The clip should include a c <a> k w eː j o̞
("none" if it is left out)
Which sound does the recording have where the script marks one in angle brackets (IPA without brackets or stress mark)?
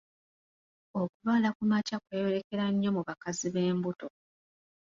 a